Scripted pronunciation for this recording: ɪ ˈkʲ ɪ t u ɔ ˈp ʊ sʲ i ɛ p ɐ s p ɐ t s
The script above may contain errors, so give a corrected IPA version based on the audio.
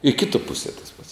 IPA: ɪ ˈkʲ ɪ t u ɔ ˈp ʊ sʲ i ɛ t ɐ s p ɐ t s